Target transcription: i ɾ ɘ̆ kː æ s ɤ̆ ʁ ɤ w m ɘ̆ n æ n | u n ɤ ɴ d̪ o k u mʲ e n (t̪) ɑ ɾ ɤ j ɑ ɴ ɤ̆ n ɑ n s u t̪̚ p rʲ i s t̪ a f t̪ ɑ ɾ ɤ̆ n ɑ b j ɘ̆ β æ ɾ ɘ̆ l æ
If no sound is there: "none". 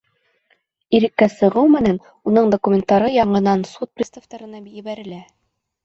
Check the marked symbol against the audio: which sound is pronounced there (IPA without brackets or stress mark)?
t̪